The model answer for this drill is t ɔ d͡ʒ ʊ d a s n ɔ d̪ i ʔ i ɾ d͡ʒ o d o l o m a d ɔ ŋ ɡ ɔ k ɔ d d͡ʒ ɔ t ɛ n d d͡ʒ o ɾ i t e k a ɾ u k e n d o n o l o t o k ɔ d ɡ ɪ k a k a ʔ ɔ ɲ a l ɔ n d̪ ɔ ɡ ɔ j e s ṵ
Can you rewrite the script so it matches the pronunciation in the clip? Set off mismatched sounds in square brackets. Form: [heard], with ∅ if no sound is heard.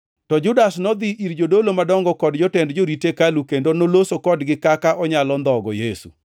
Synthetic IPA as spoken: t ɔ d͡ʒ ʊ d a s n ɔ d̪ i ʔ i ɾ d͡ʒ o d o l o m a d ɔ ŋ ɡ ɔ k ɔ d d͡ʒ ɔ t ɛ n d d͡ʒ o ɾ i t e k a [l] u k e n d o n o l o [s] o k ɔ d ɡ ɪ k a k a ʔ ɔ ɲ a l ɔ n d̪ ɔ ɡ ɔ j e s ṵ